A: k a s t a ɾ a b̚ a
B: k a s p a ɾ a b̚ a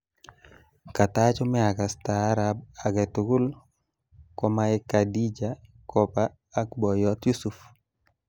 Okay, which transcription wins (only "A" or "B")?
A